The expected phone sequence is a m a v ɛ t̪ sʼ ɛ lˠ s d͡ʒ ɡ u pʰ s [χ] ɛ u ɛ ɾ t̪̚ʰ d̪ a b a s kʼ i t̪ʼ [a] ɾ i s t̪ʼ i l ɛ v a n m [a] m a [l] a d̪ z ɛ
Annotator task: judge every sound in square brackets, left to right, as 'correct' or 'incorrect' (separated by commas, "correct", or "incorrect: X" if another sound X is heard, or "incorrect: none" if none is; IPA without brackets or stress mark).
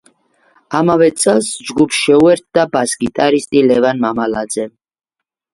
incorrect: ʃ, correct, correct, correct